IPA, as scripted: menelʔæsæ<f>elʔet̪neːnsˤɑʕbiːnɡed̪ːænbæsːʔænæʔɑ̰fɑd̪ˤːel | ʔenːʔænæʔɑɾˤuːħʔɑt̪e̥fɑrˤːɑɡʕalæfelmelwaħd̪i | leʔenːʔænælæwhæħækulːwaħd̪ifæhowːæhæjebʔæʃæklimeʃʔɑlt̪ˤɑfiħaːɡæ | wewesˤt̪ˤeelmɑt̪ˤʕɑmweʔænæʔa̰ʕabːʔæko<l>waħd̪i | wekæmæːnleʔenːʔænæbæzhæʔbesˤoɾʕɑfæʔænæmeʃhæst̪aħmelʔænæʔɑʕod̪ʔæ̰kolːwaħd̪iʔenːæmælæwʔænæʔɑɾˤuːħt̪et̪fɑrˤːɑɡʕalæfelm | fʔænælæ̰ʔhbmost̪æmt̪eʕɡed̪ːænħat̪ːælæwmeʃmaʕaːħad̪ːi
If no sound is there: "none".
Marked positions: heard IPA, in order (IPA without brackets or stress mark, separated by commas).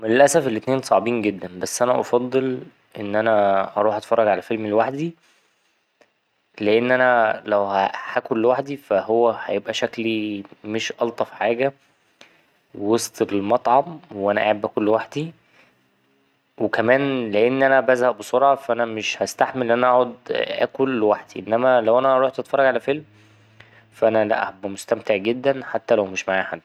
f, lː